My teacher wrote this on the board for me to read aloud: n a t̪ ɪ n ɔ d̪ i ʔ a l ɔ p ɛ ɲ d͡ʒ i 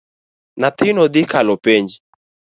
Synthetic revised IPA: n a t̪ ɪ n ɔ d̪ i k a l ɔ p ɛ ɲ d͡ʒ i